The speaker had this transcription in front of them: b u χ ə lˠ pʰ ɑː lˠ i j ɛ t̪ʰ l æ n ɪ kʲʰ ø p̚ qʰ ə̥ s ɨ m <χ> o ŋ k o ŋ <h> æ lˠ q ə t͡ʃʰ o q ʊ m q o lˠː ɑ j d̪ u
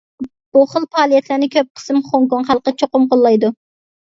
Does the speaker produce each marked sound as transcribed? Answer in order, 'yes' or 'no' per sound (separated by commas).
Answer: yes, no